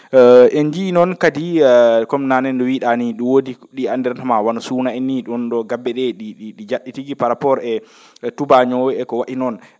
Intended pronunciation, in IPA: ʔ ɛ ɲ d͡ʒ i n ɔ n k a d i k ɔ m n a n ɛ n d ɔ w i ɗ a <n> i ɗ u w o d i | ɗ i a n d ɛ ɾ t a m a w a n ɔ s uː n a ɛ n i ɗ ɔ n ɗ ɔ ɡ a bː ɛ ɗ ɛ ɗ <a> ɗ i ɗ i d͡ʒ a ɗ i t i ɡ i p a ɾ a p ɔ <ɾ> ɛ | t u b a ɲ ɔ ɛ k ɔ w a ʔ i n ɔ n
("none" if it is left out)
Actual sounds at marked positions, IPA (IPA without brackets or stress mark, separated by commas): n, i, ɾ